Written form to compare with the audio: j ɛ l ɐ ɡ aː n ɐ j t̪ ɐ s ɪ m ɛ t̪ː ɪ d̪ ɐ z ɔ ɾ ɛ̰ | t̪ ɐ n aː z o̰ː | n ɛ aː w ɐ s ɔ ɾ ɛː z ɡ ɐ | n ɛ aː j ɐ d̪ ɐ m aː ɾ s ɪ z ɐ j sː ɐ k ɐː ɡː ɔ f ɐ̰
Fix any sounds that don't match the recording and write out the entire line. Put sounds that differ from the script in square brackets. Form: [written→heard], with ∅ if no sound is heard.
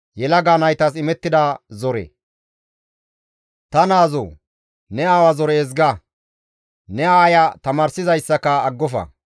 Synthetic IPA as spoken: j ɛ l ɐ ɡ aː n ɐ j t̪ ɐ s ɪ m ɛ t̪ː ɪ d̪ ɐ z ɔ ɾ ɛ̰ | t̪ ɐ n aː z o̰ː | n ɛ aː w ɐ [s→z] ɔ ɾ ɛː z ɡ ɐ | n ɛ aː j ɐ [d̪→t̪] ɐ m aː ɾ s ɪ z ɐ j sː ɐ k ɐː ɡː ɔ f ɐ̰